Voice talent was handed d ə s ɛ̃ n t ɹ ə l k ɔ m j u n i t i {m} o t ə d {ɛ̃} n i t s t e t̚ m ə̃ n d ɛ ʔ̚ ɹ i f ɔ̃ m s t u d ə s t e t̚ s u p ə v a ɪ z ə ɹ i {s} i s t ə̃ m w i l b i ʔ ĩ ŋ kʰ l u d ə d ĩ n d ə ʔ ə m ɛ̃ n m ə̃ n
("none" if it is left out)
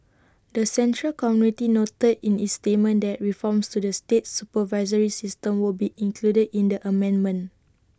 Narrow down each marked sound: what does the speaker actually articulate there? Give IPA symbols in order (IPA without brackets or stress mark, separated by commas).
n, ĩ, s